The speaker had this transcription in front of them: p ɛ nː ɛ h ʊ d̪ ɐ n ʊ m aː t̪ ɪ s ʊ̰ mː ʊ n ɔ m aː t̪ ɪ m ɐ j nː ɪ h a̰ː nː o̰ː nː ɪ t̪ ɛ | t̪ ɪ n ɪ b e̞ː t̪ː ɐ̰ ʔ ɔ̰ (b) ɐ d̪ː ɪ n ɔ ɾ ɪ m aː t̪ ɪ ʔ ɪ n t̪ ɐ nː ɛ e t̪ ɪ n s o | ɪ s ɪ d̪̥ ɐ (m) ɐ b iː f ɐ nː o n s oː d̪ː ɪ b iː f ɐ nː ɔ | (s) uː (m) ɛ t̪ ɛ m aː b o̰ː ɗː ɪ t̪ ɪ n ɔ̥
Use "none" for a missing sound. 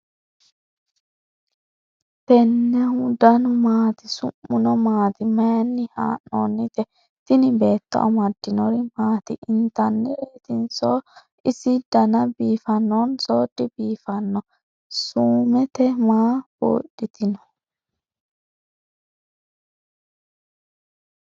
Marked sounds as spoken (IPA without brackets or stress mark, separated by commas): m, n, s, m